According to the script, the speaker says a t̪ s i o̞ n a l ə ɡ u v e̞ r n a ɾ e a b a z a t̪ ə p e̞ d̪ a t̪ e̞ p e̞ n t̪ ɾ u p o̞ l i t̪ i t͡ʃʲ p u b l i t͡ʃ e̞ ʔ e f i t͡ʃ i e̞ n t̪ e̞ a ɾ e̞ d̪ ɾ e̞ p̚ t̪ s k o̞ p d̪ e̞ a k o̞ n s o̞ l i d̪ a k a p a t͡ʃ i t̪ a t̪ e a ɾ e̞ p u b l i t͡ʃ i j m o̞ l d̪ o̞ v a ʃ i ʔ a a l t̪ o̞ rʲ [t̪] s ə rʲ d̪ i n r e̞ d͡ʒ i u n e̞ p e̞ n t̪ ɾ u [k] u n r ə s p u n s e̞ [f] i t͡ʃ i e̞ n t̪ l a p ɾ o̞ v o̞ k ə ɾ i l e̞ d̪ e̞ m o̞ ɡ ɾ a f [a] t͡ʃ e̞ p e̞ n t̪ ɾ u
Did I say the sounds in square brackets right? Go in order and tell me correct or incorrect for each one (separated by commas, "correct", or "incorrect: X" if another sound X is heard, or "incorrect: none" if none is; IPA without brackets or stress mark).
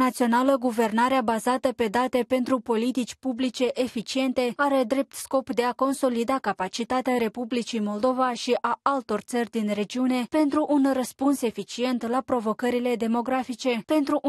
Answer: correct, incorrect: ʔ, correct, incorrect: i